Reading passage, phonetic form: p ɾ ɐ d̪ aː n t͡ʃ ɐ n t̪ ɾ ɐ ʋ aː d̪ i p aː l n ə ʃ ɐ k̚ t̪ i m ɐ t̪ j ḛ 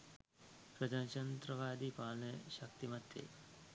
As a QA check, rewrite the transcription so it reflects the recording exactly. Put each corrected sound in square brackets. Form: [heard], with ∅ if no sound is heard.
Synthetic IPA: p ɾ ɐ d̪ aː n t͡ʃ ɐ n t̪ ɾ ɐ ʋ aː d̪ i p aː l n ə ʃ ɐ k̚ t̪ i m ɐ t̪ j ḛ